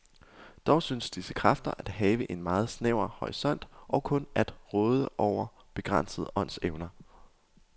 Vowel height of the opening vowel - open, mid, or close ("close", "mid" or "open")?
open